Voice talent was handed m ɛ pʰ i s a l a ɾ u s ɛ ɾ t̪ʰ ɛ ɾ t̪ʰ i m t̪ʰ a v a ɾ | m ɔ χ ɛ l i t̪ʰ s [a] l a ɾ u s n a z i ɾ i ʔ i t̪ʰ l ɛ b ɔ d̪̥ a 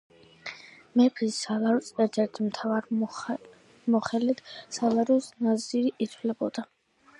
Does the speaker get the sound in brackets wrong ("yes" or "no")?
no